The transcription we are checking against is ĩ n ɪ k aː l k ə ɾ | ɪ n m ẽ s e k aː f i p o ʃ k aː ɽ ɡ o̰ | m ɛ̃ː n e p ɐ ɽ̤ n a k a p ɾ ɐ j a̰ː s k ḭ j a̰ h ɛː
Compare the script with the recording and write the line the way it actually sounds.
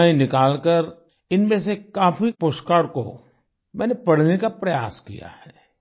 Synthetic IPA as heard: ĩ n ɪ k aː l k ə ɾ | ɪ n m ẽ s e k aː f i p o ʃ k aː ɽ k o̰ | m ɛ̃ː n e p ɐ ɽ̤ n e k a p ɾ ɐ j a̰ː s k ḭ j a̰ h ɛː